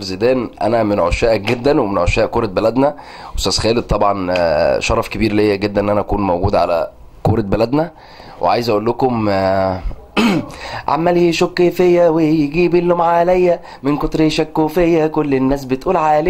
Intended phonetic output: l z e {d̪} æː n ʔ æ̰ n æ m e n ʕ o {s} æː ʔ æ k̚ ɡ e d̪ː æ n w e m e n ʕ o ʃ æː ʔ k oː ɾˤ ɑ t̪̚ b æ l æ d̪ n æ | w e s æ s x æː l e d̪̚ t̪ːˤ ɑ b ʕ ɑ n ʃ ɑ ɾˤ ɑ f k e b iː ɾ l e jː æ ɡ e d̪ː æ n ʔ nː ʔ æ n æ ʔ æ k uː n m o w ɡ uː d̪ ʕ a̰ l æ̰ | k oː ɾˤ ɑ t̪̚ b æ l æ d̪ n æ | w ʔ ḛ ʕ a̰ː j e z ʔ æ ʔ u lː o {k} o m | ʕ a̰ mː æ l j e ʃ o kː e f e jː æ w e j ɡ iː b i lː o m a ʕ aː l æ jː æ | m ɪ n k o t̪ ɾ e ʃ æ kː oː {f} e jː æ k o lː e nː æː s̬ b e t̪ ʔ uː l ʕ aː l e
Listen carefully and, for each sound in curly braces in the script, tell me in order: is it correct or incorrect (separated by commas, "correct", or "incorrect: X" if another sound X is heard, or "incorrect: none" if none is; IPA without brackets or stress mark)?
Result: correct, incorrect: ʃ, correct, correct